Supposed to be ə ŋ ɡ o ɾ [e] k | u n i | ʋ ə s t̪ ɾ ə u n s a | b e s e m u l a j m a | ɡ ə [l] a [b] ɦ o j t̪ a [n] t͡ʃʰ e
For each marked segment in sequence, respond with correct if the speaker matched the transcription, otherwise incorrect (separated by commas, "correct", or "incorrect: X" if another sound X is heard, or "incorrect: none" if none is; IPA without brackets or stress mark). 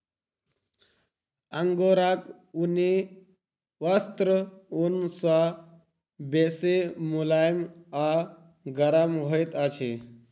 incorrect: a, incorrect: ɾ, incorrect: m, incorrect: none